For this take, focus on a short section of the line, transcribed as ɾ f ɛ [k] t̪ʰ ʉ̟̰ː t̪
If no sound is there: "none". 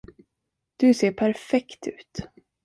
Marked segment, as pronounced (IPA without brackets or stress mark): k